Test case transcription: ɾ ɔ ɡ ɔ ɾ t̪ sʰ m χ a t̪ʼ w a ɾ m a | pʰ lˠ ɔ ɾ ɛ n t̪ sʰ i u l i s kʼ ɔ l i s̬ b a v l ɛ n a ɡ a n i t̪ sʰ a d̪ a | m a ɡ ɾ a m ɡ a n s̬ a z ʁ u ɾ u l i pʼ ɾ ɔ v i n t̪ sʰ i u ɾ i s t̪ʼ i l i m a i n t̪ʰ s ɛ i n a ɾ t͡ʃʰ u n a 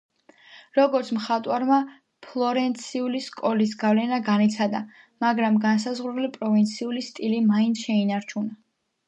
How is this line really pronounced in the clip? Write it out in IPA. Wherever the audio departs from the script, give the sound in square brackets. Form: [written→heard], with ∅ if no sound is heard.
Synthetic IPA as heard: ɾ ɔ ɡ ɔ ɾ t̪ sʰ m χ a t̪ʼ w a ɾ m a | pʰ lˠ ɔ ɾ ɛ n t̪ sʰ i u l i s kʼ ɔ l i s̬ [b→ɡ] a v l ɛ n a ɡ a n i t̪ sʰ a d̪ a | m a ɡ ɾ a m ɡ a n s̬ a z ʁ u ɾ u l i pʼ ɾ ɔ v i n t̪ sʰ i u [ɾ→l] i s t̪ʼ i l i m a i n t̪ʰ [s→ʃ] ɛ i n a ɾ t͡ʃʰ u n a